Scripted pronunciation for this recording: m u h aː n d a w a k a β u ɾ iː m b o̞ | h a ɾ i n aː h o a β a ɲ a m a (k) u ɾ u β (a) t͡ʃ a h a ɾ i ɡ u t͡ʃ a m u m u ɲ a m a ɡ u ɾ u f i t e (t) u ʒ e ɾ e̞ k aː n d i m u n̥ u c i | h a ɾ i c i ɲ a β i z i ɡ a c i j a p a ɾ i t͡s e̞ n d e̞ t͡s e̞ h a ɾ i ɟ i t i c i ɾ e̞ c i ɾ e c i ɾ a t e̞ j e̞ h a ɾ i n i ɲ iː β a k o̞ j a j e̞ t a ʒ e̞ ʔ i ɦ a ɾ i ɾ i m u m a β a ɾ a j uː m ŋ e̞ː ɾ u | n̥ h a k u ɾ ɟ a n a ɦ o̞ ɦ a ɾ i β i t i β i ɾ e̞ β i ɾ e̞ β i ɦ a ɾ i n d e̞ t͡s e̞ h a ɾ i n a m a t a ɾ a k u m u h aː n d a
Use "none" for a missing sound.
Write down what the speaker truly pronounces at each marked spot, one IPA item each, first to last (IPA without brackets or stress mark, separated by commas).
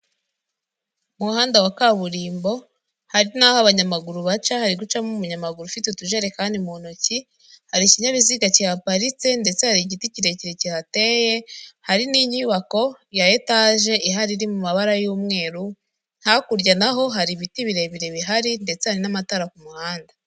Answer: ɡ, a, t